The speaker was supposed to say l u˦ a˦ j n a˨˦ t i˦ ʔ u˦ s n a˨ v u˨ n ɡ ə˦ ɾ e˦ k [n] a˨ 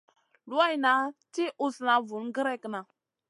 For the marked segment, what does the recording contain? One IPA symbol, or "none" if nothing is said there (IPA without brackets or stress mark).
n